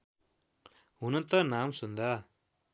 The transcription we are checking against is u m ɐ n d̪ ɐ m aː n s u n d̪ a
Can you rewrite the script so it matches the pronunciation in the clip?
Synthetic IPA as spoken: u n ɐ n t̪ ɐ n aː m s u n d̪ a